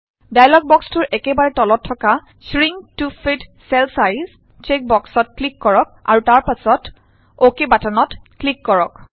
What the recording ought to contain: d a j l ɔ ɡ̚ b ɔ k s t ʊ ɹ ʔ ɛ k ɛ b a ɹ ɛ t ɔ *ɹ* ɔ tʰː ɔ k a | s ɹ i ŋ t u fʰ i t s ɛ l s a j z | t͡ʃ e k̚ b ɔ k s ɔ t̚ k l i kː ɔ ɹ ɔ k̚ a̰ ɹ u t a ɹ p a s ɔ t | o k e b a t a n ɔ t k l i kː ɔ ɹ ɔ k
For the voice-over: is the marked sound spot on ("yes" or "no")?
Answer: no